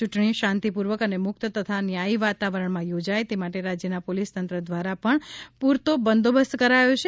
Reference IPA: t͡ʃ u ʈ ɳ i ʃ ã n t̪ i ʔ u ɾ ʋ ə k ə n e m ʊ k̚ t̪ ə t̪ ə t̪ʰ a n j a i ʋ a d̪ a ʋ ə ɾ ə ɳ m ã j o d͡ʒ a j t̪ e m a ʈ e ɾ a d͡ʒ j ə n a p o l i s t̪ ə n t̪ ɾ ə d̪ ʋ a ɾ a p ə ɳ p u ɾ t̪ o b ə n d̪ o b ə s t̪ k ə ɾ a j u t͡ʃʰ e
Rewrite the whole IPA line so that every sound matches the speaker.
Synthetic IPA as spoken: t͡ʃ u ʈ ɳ i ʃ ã n t̪ i p u ɾ ʋ ə k ə n e m ʊ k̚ t̪ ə t̪ ə t̪ʰ a n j a i ʋ a t̪ a ʋ ə ɾ ə ɳ m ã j o d͡ʒ a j t̪ e m a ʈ e ɾ a d͡ʒ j ə n a p o l i s t̪ ə n t̪ ɾ ə d̪ ʋ a ɾ a p ə ɳ p u ɾ t̪ o b ə n d̪ o b ə s t̪ k ə ɾ a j o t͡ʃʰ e